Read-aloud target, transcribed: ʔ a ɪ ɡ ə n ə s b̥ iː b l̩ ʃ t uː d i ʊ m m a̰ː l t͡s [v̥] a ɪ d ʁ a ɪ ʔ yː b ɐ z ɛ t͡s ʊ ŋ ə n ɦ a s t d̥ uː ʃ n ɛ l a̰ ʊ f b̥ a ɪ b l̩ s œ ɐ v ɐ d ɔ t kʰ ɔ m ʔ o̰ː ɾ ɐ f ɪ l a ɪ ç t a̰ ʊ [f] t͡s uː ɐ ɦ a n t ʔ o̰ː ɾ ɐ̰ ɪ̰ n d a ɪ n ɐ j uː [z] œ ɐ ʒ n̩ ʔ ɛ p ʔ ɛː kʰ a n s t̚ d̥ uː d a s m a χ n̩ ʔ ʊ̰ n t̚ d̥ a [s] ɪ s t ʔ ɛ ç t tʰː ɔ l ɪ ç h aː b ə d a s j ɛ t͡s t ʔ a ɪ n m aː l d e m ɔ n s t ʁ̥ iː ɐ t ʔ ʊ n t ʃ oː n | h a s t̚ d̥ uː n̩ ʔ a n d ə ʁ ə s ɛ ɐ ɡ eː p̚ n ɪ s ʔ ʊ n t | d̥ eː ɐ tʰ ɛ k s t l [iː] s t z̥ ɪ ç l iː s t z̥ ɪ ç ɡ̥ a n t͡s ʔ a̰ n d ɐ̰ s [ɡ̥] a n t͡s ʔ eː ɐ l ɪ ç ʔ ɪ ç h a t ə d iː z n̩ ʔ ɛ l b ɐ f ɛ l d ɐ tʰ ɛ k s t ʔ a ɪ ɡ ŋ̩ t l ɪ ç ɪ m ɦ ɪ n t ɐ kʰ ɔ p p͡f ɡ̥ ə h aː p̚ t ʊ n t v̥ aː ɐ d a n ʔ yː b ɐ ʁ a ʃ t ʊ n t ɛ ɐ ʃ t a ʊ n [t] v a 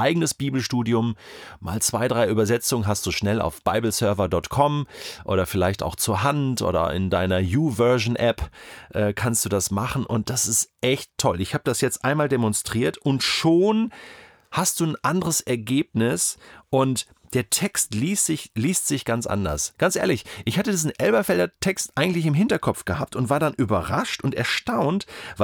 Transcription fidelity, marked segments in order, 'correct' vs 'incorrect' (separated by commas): correct, incorrect, incorrect, correct, correct, correct, correct